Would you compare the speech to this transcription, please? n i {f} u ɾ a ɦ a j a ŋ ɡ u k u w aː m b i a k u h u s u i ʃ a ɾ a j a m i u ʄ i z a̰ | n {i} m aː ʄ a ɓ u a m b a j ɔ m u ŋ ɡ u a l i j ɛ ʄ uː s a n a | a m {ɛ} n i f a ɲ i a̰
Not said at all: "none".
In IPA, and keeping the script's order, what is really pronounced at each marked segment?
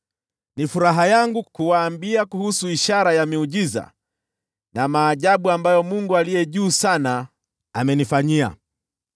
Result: f, a, ɛ

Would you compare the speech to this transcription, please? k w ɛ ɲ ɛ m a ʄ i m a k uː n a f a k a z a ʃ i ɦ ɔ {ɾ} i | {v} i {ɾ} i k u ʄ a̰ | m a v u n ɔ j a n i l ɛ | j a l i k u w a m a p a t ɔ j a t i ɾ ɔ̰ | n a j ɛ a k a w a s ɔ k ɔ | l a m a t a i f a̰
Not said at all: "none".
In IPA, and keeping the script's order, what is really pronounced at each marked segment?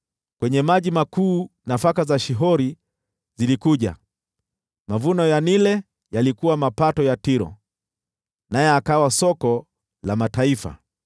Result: ɾ, z, l

